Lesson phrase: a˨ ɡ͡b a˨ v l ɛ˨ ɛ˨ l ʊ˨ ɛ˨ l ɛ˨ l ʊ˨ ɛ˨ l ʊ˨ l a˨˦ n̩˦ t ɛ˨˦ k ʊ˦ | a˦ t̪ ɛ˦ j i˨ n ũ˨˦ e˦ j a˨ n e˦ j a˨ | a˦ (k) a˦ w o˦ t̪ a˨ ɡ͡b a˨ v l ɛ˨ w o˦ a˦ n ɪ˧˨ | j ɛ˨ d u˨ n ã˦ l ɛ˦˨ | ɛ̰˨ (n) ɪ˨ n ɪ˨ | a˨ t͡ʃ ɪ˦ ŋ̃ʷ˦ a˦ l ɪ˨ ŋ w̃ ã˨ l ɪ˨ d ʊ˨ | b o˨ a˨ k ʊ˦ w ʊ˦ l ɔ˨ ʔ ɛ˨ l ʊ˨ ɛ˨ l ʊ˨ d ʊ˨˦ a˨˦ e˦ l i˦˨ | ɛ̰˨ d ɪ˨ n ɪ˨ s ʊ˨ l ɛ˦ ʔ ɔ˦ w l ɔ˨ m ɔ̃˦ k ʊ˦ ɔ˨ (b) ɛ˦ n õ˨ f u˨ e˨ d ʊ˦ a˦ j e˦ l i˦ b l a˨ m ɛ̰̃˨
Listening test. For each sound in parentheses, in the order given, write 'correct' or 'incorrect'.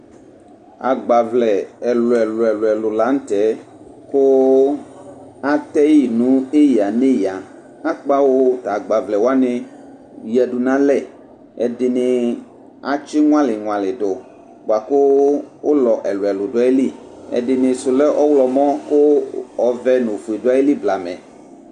incorrect, incorrect, incorrect

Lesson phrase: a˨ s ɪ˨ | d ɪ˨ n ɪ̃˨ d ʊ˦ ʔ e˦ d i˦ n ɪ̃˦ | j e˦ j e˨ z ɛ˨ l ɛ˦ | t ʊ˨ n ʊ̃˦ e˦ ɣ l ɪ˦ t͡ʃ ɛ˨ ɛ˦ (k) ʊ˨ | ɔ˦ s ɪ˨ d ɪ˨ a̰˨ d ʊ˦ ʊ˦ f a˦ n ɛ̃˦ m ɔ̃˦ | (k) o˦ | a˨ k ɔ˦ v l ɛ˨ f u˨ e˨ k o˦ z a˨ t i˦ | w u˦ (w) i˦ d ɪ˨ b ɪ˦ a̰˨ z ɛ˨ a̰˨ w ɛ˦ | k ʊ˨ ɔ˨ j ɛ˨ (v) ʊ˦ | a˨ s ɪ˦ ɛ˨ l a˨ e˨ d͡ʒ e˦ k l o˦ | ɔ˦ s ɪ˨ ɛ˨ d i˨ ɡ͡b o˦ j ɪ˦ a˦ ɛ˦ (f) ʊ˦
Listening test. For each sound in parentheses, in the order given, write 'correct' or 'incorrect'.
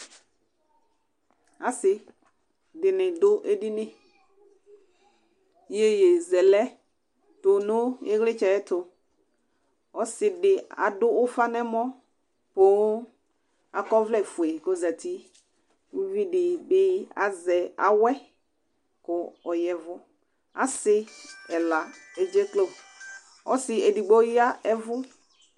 incorrect, incorrect, incorrect, correct, incorrect

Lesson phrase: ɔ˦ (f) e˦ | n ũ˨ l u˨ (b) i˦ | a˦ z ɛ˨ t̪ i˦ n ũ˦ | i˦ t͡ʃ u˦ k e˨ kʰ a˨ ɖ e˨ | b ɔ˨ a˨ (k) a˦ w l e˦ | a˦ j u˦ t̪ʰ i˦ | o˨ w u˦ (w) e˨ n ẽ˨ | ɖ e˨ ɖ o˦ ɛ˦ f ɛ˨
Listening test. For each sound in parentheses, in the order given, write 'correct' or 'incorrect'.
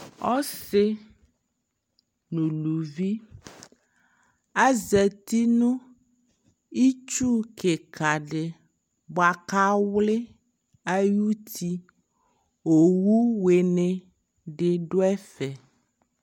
incorrect, incorrect, correct, correct

